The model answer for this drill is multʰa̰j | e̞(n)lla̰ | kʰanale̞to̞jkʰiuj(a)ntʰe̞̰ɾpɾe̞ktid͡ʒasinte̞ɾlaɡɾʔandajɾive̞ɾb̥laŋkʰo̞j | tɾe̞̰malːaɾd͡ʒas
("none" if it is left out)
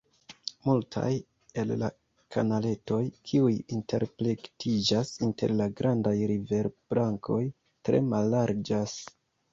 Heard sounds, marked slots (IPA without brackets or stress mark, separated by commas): none, i